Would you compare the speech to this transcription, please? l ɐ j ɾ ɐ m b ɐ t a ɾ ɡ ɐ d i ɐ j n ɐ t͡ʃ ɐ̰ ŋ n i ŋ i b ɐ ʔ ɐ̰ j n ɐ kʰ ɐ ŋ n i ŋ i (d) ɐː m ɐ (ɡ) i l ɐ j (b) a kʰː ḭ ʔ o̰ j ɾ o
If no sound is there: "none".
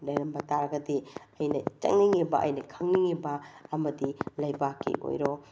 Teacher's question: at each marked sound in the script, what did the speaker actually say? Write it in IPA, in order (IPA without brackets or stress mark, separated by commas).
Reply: b, d, b